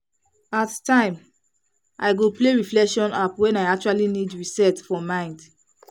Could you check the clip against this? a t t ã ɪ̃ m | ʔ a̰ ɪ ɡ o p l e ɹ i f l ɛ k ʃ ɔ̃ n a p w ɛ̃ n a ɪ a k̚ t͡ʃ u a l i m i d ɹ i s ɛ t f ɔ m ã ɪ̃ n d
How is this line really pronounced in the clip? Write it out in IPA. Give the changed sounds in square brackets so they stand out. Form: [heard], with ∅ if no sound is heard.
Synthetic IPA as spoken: a t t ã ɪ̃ m | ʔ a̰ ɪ ɡ o p l e ɹ i f l ɛ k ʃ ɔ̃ n a p w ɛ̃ n a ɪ a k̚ t͡ʃ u a l i [n] i d ɹ i s ɛ t f ɔ m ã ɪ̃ n d